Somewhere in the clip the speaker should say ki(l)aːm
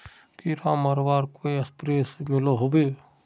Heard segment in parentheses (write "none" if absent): ɾ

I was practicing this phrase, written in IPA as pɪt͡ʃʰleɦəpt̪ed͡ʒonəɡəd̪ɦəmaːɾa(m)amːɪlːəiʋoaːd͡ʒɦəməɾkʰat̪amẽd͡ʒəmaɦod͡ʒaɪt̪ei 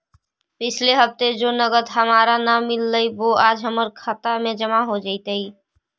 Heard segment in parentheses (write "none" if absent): n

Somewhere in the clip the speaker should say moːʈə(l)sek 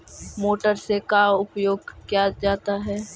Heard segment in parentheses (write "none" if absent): ɾ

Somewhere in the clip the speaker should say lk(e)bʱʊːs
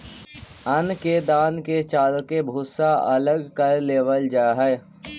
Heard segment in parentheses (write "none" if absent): e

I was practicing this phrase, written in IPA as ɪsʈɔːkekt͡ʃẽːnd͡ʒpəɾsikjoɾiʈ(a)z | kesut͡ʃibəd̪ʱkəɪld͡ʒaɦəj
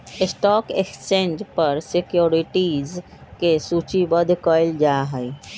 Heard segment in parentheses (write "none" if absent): i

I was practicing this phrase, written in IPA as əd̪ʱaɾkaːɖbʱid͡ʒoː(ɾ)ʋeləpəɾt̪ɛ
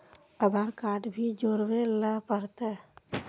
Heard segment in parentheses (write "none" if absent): ɾ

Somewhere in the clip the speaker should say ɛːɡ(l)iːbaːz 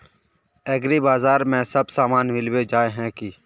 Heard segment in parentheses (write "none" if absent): ɾ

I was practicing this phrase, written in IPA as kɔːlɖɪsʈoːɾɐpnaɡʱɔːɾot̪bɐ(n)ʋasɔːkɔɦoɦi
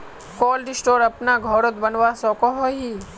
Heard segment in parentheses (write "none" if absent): n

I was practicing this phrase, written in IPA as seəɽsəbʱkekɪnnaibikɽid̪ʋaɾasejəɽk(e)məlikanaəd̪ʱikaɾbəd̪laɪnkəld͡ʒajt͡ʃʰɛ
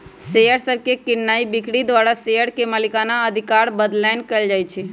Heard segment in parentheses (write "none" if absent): e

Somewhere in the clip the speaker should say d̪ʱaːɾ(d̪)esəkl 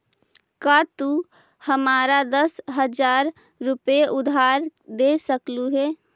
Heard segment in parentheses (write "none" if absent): d̪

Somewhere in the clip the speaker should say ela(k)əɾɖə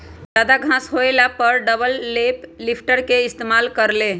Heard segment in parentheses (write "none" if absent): p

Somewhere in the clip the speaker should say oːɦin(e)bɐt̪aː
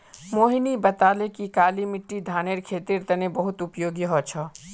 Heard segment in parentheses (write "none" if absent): i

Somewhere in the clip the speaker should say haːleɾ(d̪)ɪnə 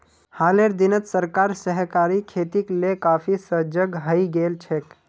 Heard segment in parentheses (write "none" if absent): d̪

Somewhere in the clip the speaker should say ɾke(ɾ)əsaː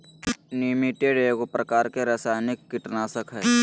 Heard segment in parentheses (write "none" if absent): ɾ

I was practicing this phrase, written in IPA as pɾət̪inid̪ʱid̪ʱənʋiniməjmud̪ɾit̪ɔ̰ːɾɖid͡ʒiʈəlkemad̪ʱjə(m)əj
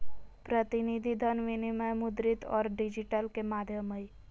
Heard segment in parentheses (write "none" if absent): m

